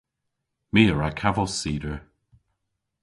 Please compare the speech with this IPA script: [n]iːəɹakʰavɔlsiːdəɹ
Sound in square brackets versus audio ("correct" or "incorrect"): incorrect